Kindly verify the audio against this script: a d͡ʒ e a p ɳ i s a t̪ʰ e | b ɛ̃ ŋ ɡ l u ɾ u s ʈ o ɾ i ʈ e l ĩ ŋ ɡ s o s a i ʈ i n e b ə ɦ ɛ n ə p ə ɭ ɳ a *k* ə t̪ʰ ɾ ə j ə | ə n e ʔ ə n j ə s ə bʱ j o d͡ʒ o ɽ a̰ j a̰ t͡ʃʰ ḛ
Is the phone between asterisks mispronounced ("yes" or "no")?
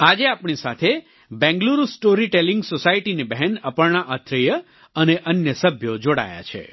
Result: yes